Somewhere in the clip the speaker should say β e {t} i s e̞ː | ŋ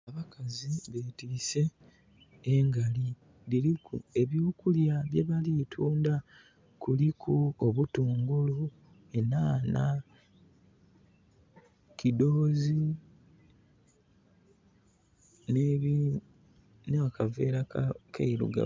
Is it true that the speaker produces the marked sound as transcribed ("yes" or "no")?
yes